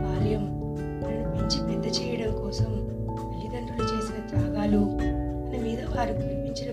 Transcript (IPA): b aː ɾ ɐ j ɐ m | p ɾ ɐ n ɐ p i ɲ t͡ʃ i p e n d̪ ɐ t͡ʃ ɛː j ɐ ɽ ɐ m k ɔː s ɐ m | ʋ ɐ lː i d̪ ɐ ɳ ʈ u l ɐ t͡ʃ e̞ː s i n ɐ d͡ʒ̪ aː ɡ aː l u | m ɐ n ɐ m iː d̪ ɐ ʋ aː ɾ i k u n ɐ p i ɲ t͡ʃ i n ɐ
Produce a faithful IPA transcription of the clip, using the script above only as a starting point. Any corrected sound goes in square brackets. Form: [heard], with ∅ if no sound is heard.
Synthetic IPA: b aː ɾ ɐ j ɐ m | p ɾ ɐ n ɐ p i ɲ t͡ʃ i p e n d̪ ɐ t͡ʃ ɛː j ɐ ɽ ɐ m k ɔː s ɐ m | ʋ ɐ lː i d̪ ɐ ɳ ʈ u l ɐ t͡ʃ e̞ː s i n ɐ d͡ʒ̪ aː ɡ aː l u | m ɐ n ɐ m iː d̪ ɐ ʋ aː ɾ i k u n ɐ p i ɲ t͡ʃ i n ɐ